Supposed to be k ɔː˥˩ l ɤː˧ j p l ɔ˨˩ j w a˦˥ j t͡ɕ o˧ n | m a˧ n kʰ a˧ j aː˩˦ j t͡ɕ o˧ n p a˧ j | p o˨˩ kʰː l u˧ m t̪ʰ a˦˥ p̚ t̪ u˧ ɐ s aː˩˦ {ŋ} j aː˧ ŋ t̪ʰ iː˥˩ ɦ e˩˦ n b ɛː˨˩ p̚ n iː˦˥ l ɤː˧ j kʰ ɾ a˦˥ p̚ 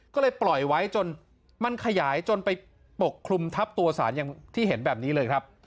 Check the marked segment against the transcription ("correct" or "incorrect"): incorrect